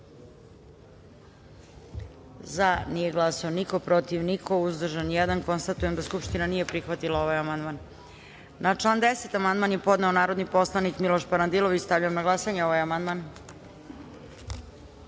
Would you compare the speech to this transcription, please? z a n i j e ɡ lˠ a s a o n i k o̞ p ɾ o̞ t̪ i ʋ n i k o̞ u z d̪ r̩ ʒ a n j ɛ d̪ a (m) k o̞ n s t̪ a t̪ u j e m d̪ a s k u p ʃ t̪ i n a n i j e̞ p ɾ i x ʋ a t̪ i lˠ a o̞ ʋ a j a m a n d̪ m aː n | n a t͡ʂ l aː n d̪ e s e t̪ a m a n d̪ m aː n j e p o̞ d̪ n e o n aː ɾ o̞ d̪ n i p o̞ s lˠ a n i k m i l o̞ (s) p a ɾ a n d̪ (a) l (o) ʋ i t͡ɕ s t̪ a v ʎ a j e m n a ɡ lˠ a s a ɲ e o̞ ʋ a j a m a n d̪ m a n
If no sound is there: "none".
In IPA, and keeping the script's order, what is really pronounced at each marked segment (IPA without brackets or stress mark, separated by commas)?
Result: n, ʃ, i, o